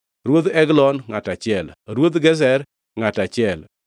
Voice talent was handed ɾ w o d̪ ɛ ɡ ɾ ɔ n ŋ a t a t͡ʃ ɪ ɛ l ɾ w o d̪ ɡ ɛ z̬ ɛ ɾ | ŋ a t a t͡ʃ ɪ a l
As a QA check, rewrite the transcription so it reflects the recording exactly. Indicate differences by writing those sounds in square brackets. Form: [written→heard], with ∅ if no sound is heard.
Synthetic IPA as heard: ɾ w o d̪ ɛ ɡ [ɾ→l] ɔ n ŋ a t a t͡ʃ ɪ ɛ l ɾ w o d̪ ɡ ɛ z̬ ɛ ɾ | ŋ a t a t͡ʃ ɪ [a→ɛ] l